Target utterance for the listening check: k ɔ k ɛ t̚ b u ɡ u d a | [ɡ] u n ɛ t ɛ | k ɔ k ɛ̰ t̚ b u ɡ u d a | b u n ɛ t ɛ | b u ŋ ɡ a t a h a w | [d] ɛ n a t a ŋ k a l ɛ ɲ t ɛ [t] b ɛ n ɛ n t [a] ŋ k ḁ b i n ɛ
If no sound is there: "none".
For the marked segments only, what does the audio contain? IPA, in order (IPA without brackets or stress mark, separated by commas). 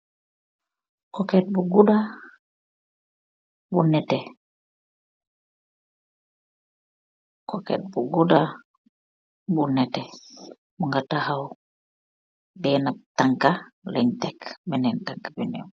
b, b, k, a